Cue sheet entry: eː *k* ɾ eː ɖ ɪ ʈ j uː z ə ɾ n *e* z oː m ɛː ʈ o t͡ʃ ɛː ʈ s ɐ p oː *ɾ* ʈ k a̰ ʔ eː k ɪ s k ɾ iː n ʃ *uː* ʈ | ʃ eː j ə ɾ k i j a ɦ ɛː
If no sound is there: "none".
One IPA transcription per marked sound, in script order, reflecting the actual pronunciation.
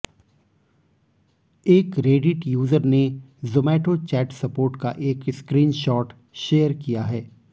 k, e, ɾ, ɔː

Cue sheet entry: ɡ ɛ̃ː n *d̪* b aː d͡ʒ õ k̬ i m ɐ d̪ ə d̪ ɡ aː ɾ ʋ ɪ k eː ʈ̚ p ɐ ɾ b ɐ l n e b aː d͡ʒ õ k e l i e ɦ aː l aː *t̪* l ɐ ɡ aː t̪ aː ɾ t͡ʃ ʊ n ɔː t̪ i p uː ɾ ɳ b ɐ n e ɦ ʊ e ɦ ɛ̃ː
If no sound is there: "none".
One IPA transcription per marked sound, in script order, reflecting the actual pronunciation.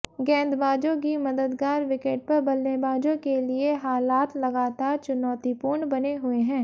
d̪, t̪

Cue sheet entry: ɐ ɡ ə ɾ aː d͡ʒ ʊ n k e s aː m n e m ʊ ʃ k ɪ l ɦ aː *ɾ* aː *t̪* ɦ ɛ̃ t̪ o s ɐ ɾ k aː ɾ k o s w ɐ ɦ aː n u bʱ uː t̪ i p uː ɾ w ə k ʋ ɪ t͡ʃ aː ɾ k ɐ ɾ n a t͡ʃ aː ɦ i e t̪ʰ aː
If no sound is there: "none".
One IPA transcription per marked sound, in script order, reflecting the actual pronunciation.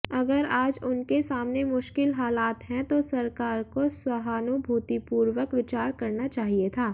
l, t̪

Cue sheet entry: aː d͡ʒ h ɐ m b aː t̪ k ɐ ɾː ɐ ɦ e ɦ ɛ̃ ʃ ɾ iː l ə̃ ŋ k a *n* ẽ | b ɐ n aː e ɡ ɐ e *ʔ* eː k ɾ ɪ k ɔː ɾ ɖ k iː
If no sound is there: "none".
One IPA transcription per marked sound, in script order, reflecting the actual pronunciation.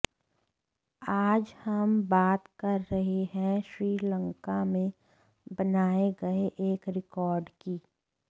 m, ʔ

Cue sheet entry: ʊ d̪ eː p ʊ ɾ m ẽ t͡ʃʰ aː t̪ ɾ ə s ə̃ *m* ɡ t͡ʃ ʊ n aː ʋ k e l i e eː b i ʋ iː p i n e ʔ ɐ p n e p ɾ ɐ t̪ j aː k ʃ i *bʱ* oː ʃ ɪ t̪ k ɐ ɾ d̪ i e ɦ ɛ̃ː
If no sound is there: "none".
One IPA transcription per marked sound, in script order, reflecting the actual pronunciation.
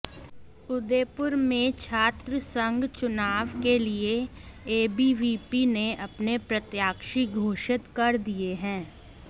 ŋ, ɡʱ

